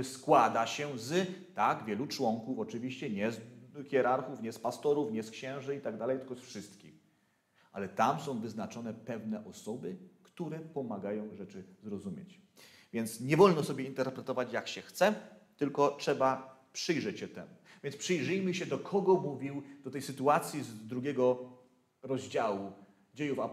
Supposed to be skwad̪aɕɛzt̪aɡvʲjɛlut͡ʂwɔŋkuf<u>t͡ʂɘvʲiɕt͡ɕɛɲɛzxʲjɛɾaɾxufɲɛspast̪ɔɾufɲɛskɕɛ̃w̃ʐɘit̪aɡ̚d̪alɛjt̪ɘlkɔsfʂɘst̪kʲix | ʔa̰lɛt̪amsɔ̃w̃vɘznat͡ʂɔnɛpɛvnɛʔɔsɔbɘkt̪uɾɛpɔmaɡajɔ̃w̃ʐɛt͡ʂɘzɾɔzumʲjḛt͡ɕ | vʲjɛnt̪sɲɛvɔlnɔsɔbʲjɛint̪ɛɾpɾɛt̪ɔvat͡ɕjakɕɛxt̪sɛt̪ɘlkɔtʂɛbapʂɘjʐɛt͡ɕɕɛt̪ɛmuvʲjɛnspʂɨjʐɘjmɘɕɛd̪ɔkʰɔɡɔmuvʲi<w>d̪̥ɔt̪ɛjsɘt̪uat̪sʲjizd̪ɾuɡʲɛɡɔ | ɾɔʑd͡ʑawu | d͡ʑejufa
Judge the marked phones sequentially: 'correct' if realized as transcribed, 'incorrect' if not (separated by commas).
incorrect, correct